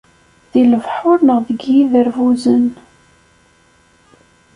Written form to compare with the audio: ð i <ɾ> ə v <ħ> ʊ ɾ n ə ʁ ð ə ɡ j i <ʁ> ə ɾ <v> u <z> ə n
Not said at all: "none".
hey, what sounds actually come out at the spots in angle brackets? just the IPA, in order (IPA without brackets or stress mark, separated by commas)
l, ħ, ð, v, z